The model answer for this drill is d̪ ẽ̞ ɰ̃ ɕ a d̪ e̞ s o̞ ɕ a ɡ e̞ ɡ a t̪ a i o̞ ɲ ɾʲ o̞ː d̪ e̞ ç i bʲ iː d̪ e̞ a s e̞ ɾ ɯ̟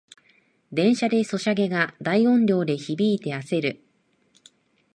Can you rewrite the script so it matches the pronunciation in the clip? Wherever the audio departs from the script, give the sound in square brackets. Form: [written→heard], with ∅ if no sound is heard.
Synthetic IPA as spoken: d̪ ẽ̞ ɰ̃ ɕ a d̪ e̞ s o̞ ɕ a ɡ e̞ ɡ a [t̪→d̪] a i [o̞→õ̞] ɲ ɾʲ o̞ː d̪ e̞ ç i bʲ iː [d̪→t̪] e̞ a s e̞ ɾ ɯ̟